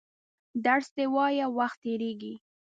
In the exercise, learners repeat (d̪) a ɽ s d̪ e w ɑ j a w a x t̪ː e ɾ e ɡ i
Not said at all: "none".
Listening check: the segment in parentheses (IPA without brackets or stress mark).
d̪